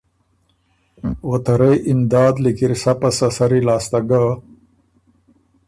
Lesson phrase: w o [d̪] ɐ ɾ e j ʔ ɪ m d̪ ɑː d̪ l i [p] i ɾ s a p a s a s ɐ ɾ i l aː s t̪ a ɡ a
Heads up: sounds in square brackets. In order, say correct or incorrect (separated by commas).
incorrect, incorrect